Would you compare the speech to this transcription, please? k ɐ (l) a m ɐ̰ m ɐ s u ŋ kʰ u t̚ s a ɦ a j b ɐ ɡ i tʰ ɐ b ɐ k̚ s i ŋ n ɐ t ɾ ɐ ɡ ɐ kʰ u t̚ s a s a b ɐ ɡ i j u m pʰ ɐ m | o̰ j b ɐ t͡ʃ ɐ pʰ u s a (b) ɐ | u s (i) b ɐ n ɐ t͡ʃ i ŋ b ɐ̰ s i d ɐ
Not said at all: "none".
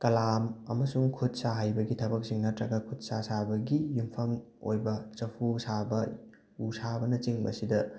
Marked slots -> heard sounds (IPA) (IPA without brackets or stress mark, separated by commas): l, b, a